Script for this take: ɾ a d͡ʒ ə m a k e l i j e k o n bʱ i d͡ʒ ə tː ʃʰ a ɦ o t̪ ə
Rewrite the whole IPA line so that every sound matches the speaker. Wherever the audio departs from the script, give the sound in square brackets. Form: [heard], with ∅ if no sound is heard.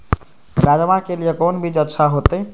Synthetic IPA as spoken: ɾ a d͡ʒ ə m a k e l i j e k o n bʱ i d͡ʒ ə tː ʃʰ a ɦ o t̪ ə